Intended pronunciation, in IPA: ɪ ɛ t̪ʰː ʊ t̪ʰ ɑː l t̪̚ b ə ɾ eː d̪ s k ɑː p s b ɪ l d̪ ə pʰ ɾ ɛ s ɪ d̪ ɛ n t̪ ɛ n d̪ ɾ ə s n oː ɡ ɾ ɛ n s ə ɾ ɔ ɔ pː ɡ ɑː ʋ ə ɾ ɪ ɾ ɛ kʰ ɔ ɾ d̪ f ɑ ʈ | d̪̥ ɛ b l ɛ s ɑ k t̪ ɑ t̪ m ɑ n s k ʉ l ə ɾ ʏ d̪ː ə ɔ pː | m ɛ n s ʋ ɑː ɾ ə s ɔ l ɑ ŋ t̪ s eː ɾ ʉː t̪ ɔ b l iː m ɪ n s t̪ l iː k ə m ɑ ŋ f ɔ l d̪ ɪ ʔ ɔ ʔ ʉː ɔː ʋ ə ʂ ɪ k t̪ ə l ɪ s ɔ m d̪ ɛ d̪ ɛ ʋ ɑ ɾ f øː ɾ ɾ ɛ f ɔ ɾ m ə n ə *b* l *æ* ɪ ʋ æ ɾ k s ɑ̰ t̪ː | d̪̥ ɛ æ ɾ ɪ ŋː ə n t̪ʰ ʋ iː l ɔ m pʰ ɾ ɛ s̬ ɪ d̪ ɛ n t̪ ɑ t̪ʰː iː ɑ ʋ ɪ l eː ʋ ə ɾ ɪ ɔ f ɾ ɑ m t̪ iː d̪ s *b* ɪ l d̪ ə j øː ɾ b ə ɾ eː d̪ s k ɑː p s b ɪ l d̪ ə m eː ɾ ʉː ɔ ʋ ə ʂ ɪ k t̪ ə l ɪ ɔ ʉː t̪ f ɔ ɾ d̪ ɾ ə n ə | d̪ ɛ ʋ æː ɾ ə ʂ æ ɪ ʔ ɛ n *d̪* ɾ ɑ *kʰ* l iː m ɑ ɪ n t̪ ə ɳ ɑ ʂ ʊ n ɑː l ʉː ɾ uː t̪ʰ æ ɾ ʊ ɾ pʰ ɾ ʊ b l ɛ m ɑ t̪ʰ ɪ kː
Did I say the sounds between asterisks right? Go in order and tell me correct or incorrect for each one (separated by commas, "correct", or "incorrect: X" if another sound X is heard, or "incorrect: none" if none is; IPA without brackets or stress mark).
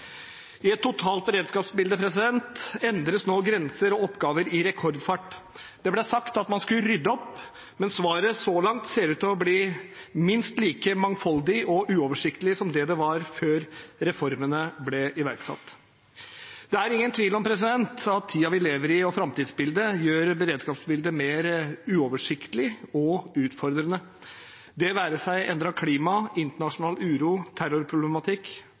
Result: correct, incorrect: ɛ, correct, correct, correct